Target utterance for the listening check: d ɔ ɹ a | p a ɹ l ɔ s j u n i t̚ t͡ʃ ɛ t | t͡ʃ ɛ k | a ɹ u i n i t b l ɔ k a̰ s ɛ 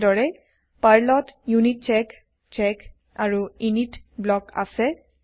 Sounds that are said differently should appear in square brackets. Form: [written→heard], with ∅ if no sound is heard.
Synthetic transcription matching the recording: d ɔ ɹ [a→ɛ] | p a ɹ l ɔ [s→t] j u n i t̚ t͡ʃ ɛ [t→k] | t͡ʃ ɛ k | a ɹ u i n i t b l ɔ k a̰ s ɛ